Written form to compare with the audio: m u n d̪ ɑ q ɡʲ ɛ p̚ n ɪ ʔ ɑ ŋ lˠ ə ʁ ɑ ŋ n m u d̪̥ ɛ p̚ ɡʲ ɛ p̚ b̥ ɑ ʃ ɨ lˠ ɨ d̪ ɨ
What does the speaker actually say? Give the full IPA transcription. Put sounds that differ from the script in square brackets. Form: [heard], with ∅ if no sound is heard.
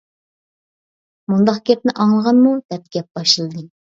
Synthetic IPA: m u n d̪ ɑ q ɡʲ ɛ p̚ n ɪ ʔ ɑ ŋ lˠ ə ʁ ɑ [∅] n m u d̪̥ ɛ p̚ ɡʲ ɛ p̚ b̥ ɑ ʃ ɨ lˠ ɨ d̪ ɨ